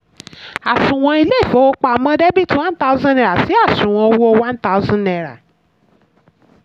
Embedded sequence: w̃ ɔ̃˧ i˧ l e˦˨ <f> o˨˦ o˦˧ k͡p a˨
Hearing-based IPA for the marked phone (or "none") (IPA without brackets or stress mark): f